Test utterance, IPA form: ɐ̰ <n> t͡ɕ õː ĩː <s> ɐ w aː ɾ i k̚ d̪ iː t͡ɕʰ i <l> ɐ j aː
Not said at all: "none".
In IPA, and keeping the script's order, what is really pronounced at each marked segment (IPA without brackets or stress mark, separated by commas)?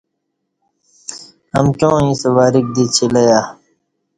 m, s, l